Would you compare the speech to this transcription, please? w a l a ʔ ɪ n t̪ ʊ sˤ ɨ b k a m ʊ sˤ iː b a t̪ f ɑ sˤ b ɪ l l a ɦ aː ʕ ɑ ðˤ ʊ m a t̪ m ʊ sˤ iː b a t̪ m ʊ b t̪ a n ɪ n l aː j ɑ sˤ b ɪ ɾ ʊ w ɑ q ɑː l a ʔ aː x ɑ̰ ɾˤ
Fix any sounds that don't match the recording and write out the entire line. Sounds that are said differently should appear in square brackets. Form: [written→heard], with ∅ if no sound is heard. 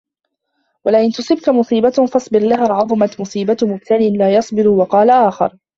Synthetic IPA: w a l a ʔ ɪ n t̪ ʊ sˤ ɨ b k a m ʊ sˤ iː b a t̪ f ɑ sˤ b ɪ [l→ɾ] l a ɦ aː ʕ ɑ ðˤ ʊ m a t̪ m ʊ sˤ iː b a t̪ m ʊ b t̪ a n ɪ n l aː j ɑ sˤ b ɪ ɾ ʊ w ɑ q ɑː l a ʔ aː x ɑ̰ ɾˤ